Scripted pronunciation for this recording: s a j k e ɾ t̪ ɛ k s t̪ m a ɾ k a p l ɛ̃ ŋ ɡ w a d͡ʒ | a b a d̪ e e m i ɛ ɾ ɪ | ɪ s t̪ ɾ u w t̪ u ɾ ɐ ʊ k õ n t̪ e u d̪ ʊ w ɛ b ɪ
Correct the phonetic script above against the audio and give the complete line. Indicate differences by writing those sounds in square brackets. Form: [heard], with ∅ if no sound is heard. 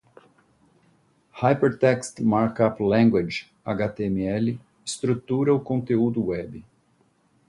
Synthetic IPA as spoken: [h] a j [p] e ɾ t̪ ɛ k s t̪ m a ɾ k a p l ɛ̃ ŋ ɡ w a d͡ʒ | a [ɡ] a [t̪] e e m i ɛ [l] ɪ | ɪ s t̪ ɾ u [∅] t̪ u ɾ ɐ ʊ k õ n t̪ e u d̪ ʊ w ɛ b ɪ